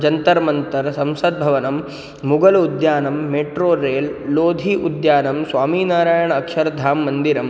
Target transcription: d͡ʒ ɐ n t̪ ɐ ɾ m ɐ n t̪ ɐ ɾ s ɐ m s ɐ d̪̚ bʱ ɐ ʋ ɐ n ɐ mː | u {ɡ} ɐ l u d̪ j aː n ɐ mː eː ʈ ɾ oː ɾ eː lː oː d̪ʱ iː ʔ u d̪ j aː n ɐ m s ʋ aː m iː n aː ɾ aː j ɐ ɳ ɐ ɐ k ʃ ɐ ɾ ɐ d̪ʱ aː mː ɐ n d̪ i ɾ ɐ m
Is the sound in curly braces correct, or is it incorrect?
correct